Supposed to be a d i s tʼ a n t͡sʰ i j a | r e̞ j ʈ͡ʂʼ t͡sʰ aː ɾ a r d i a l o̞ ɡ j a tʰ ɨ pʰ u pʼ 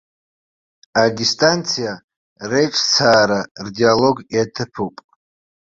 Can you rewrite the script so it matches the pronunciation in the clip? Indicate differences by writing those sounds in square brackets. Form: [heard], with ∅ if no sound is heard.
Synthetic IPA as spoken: a d i s tʼ a n t͡sʰ i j a | r e̞ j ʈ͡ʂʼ t͡sʰ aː ɾ a r d i a l o̞ ɡ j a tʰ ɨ pʰ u pʼ